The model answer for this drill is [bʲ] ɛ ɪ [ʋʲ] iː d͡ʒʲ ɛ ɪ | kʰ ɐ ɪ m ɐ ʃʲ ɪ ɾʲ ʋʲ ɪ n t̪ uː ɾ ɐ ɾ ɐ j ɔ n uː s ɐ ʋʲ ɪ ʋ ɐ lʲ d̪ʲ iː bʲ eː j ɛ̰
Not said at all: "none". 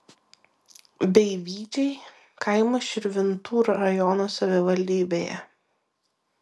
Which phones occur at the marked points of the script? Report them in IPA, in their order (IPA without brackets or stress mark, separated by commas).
bʲ, ʋʲ